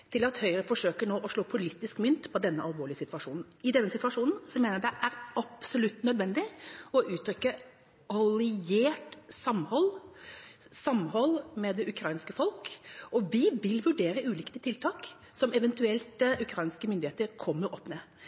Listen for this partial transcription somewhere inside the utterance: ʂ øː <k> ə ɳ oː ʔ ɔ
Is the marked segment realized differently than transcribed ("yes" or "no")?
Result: no